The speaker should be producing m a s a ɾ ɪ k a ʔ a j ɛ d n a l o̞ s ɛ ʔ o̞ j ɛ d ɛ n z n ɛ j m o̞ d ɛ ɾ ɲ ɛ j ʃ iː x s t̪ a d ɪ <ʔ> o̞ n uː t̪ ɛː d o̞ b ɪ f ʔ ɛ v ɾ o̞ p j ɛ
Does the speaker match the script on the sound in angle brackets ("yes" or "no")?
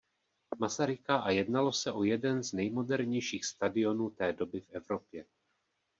no